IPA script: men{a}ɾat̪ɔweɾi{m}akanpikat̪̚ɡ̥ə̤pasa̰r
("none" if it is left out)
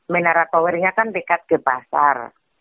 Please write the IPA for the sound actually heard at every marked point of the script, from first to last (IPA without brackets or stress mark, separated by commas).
a, ŋ